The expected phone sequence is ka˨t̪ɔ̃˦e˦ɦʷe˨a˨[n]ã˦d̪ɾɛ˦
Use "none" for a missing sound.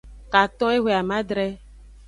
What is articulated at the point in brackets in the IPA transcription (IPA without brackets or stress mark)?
m